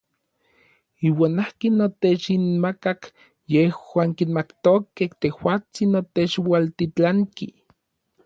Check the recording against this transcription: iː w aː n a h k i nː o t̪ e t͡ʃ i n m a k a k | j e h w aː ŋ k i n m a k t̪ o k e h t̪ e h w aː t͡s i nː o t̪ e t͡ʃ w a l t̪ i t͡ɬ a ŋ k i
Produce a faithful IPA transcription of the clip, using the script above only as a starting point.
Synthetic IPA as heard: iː w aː n a h k i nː o t̪ e t͡ʃ i n m a k a k | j e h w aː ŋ k i n m a k t̪ o k e h t̪ e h w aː t͡s i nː o t̪ e t͡ʃ w a l t̪ i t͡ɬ a ŋ k i